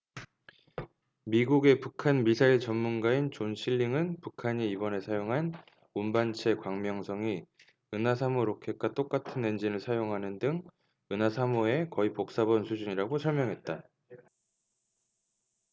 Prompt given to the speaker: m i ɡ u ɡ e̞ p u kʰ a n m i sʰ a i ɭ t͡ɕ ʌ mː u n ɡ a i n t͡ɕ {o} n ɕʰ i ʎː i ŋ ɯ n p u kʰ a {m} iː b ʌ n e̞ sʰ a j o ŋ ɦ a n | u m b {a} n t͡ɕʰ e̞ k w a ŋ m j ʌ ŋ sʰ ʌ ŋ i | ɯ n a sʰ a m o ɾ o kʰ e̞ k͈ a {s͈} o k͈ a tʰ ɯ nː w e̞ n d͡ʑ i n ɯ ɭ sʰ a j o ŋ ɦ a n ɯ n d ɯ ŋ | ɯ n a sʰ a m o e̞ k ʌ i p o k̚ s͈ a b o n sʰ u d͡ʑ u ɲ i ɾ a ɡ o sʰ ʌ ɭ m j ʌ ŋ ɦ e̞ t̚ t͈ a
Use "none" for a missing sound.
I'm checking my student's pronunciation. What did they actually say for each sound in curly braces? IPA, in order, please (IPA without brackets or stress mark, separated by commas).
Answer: o, ɲ, a, t͈